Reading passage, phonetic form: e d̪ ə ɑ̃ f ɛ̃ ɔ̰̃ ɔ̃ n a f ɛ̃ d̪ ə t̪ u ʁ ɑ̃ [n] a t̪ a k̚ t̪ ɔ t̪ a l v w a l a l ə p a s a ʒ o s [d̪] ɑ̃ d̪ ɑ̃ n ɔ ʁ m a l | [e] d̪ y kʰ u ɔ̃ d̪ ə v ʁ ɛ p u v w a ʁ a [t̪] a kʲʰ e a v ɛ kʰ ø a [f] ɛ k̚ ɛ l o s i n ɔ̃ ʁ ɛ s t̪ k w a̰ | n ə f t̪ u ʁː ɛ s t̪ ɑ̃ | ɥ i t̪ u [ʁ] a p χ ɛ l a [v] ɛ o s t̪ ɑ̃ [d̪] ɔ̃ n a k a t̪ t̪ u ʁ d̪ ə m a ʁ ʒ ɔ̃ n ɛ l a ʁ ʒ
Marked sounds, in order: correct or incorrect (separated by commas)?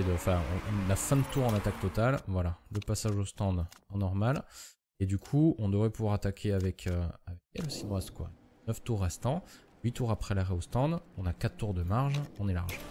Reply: correct, incorrect, correct, correct, incorrect, correct, incorrect, correct